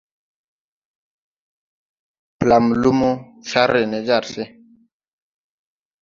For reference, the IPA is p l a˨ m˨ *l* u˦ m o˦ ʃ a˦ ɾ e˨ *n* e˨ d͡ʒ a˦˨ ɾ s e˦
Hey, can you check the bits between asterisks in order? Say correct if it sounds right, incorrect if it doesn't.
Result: correct, correct

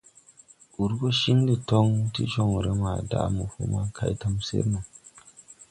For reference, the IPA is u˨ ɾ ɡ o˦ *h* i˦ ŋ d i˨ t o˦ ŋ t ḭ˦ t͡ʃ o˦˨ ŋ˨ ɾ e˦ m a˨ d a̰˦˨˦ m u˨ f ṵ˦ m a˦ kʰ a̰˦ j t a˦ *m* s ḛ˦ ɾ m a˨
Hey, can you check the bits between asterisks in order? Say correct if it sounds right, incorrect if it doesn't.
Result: incorrect: ʃ, correct

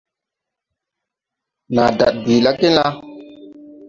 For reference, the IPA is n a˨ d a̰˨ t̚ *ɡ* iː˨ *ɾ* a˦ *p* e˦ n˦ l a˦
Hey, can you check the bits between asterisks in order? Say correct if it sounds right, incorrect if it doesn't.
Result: incorrect: b, incorrect: l, incorrect: k

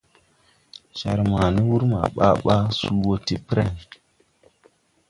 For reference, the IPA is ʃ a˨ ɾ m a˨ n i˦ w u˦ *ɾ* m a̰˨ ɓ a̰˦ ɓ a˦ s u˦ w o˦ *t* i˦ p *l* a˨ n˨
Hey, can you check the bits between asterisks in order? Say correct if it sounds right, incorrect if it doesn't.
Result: correct, correct, incorrect: ɾ

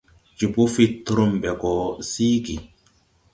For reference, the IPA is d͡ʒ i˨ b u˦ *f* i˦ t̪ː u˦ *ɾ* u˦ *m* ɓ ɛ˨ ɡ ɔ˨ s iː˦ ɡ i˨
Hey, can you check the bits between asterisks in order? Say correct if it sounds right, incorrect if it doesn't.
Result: correct, correct, correct

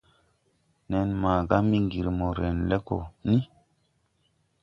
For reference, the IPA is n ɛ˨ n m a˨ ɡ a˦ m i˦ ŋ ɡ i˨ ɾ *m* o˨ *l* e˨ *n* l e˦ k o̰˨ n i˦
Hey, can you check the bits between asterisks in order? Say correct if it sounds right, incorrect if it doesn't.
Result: correct, incorrect: ɾ, correct

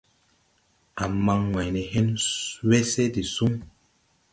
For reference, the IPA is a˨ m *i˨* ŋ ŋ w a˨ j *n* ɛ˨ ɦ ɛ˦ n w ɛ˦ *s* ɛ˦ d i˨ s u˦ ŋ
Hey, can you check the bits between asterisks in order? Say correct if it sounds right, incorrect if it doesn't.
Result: incorrect: a˨, correct, correct

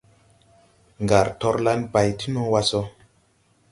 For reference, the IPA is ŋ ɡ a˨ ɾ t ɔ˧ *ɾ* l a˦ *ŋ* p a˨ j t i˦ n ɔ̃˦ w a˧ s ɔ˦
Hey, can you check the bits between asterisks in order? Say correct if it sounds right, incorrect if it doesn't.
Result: correct, incorrect: n

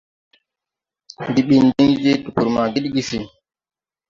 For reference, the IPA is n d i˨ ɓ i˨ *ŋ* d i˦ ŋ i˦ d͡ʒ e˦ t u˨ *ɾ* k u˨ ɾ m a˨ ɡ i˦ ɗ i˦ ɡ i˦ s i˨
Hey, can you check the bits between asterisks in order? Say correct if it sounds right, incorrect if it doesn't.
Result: incorrect: n, incorrect: none

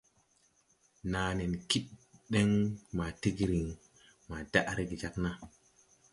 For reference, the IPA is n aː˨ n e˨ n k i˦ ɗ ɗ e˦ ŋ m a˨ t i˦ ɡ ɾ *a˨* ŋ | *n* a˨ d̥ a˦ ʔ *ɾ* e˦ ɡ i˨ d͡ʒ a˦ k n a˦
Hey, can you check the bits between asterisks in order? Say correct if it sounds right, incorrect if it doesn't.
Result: incorrect: i˨, incorrect: m, correct

